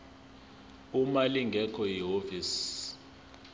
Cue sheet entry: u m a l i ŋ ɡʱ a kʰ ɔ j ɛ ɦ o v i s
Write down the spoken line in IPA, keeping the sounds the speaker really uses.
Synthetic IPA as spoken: u m a l i ŋ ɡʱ ɛ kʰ ɔ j i ɦ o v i s